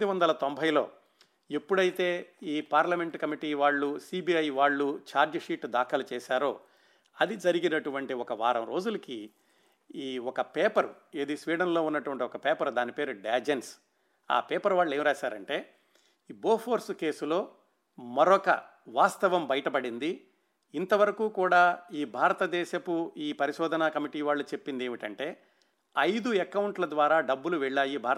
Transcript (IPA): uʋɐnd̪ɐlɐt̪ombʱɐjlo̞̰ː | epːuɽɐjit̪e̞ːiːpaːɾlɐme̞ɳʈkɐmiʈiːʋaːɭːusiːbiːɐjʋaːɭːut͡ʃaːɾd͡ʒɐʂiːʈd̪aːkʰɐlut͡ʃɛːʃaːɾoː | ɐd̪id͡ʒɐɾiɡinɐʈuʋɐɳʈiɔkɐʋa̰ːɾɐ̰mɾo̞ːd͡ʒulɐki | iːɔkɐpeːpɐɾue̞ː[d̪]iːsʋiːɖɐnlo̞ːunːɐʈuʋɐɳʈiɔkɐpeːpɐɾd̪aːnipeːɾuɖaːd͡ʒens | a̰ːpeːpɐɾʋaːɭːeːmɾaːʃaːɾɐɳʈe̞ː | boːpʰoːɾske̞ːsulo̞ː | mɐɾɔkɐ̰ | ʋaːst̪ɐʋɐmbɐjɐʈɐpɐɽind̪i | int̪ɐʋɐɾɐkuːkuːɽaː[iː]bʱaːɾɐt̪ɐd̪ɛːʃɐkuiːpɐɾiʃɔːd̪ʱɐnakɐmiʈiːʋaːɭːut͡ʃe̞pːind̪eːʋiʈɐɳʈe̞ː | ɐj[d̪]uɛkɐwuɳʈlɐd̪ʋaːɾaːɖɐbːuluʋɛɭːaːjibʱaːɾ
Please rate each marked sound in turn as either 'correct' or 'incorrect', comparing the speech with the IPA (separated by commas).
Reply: correct, correct, correct